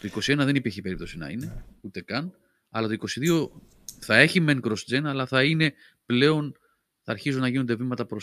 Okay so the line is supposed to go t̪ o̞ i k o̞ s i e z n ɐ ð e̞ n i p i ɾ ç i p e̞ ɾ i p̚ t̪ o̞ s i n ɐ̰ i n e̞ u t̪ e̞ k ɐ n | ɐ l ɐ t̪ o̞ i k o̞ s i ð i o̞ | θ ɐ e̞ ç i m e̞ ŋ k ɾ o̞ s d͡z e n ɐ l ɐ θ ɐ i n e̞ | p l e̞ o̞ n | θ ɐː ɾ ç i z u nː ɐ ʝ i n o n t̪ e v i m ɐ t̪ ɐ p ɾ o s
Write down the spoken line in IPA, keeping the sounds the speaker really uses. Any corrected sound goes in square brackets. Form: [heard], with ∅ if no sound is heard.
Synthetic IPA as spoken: t̪ o̞ i k o̞ s i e [∅] n ɐ ð e̞ n i p i ɾ ç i p e̞ ɾ i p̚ t̪ o̞ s i n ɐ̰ i n e̞ u t̪ e̞ k ɐ n | ɐ l ɐ t̪ o̞ i k o̞ s i ð i o̞ | θ ɐ e̞ ç i m e̞ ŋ k ɾ o̞ s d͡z e n ɐ l ɐ θ ɐ i n e̞ | p l e̞ o̞ n | θ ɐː ɾ ç i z u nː ɐ ʝ i n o n [d̪] e v i m ɐ t̪ ɐ p ɾ o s